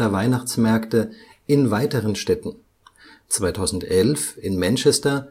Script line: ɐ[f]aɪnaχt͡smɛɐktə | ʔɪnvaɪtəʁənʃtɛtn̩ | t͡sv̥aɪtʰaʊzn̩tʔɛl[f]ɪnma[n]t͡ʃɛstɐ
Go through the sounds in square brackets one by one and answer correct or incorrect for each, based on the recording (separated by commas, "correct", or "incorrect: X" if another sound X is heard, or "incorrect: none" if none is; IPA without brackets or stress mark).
incorrect: v, correct, correct